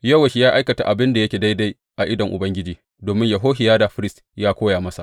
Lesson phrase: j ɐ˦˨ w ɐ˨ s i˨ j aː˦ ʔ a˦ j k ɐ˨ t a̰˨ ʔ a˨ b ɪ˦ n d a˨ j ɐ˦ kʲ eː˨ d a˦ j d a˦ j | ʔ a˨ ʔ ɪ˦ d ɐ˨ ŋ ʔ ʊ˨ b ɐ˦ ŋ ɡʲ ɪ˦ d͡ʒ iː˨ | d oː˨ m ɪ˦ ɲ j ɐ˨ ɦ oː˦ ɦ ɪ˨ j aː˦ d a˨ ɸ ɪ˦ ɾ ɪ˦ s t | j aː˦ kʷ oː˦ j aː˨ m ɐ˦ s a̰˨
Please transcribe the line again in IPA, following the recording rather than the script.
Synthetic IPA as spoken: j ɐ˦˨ w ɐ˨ ʃ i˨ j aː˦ ʔ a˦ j k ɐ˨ t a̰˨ ʔ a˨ b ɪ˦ n d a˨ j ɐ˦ kʲ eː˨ d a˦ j d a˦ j | ʔ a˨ ʔ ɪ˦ d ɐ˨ ŋ ʔ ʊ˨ b ɐ˦ ŋ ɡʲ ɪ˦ d͡ʒ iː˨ | d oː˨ m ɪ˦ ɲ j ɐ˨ ɦ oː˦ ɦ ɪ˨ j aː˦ d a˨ ɸ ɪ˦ ɾ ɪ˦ s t | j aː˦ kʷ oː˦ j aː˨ m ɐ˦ s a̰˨

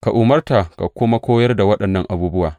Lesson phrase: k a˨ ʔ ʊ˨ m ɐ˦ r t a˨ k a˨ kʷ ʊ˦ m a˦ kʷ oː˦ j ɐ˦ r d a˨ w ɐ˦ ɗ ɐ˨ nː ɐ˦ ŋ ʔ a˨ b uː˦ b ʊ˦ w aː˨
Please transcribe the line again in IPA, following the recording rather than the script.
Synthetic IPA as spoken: k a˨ ʔ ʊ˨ m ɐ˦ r t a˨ k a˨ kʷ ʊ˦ m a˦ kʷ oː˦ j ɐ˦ r d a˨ w ɐ˦ ɗ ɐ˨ nː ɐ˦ ŋ ʔ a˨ b uː˦ b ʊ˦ w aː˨

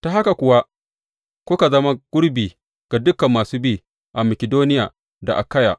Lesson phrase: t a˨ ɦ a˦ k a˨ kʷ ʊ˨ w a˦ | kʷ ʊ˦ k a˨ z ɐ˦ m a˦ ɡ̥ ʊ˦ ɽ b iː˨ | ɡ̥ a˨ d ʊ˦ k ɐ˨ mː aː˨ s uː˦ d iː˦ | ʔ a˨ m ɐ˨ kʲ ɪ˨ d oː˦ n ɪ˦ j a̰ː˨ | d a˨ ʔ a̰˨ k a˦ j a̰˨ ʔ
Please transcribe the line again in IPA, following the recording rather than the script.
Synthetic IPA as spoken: t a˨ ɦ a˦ k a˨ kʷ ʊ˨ w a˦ | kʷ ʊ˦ k a˨ z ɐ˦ m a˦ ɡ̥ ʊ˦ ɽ b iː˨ | ɡ̥ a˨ d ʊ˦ k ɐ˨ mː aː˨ s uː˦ b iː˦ | ʔ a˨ m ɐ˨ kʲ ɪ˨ d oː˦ n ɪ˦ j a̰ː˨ | d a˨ ʔ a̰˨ k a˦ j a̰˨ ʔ

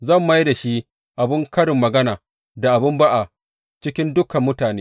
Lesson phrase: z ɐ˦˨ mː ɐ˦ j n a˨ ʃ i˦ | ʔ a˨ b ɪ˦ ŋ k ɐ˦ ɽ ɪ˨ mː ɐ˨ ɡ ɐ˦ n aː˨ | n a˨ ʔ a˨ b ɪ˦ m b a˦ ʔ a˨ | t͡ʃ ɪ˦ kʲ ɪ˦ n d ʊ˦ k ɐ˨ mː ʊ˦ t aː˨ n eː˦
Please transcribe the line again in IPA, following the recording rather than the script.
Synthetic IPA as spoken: z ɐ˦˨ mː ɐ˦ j d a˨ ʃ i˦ | ʔ a˨ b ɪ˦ ŋ k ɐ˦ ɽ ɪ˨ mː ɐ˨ ɡ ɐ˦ n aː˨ | d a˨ ʔ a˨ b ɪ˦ m b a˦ ʔ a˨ | t͡ʃ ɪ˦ kʲ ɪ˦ n d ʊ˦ k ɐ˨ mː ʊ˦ t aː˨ n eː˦

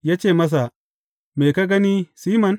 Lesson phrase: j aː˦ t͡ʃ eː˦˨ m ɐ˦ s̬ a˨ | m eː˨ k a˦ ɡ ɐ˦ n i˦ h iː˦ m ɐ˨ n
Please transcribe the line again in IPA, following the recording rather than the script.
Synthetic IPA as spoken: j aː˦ t͡ʃ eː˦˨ m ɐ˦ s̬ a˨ | m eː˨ k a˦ ɡ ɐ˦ n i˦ s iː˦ m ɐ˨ n

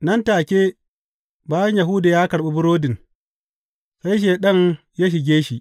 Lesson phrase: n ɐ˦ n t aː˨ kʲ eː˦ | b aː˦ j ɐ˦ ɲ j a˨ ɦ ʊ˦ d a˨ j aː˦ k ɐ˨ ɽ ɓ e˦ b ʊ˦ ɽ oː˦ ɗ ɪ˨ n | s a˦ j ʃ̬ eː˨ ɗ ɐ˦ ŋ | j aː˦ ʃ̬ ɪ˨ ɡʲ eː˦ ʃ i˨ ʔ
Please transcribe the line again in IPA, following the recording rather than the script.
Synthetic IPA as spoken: n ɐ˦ n t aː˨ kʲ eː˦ | b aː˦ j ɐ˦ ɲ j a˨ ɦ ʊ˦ d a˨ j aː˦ k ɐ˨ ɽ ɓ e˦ b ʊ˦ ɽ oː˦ d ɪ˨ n | s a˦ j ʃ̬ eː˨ ɗ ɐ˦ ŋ | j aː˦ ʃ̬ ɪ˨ ɡʲ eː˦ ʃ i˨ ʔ

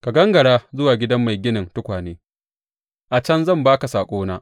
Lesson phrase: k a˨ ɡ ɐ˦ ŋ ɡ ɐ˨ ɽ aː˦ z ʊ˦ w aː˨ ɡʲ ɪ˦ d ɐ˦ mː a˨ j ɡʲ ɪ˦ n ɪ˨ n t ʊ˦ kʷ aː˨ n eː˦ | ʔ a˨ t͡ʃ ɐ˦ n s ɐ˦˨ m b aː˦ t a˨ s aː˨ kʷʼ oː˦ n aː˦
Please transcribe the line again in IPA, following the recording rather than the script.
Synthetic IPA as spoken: k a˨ ɡ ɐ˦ ŋ ɡ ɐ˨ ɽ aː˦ z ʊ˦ w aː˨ ɡʲ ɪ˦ d ɐ˦ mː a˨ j ɡʲ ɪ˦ n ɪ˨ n t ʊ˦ kʷ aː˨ n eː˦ | ʔ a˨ t͡ʃ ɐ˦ n z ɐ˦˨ m b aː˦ k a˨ s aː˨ kʷʼ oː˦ n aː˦

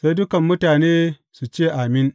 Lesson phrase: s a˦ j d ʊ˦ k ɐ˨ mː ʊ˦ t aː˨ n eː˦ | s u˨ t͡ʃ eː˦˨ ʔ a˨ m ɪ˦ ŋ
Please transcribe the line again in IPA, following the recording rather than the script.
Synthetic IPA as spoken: s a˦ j d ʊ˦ k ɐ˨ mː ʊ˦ t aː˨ n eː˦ | s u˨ t͡ʃ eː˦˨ ʔ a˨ m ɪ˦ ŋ

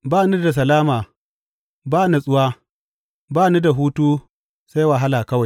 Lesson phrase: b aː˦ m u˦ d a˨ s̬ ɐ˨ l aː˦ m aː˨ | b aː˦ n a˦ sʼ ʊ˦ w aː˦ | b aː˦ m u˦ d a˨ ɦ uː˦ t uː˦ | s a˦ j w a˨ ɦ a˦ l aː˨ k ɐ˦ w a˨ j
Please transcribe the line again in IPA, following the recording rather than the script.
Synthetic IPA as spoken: b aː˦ n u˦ d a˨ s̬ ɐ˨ l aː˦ m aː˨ | b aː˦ n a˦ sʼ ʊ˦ w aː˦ | b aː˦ n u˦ d a˨ ɦ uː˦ t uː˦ | s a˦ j w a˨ ɦ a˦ l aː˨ k ɐ˦ w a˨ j

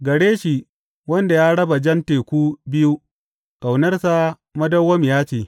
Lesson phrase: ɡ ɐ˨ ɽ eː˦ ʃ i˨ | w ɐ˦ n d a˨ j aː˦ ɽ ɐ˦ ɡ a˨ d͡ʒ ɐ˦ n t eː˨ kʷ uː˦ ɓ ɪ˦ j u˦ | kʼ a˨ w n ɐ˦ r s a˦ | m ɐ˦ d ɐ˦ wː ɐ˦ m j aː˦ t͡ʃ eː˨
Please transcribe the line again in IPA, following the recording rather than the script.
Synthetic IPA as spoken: ɡ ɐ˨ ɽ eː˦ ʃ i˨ | w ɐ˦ n d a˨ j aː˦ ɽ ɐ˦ b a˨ d͡ʒ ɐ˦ n t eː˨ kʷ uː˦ b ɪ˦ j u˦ | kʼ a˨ w n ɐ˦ r s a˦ | m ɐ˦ d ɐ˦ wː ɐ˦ m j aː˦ t͡ʃ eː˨

